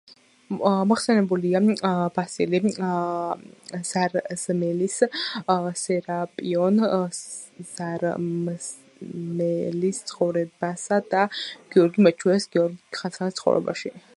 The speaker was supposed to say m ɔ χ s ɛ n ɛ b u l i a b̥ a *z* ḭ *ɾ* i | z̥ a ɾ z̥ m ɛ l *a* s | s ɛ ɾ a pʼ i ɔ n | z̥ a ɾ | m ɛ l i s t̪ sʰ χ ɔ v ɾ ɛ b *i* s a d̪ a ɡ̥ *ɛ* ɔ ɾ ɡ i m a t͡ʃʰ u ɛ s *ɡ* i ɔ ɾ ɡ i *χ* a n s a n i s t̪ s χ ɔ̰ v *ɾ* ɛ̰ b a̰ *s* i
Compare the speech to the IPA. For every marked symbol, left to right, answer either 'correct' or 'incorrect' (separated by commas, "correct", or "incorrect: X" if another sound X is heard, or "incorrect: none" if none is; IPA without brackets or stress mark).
incorrect: s, incorrect: l, incorrect: i, incorrect: a, incorrect: i, correct, correct, correct, incorrect: ʃ